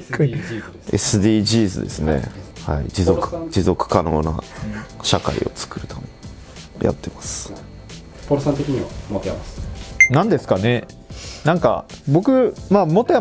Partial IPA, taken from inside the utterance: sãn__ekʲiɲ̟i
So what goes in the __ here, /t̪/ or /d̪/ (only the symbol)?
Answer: t̪